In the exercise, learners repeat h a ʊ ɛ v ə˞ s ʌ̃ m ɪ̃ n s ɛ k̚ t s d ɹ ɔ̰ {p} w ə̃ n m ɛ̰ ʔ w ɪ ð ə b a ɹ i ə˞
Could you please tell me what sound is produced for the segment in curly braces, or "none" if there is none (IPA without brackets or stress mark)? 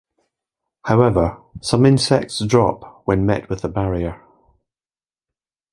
p